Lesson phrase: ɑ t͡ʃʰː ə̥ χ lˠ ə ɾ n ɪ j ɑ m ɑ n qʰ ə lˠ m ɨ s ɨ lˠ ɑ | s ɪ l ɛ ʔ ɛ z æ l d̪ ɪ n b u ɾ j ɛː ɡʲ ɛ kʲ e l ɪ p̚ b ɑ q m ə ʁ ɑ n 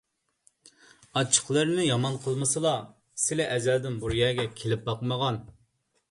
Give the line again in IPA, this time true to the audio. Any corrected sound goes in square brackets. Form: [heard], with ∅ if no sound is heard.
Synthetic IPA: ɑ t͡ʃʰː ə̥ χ lˠ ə ɾ n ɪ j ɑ m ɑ n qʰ ə lˠ m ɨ s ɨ lˠ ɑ | s ɪ l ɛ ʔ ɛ z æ l d̪ ɪ n b u ɾ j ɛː ɡʲ ɛ [kʲʰ] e l ɪ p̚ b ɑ q m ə ʁ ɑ n